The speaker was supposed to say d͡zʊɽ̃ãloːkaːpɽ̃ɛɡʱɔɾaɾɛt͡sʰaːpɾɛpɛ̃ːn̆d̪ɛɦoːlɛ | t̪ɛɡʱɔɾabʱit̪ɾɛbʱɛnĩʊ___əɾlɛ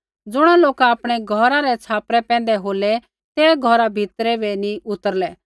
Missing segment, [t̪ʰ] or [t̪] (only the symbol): t̪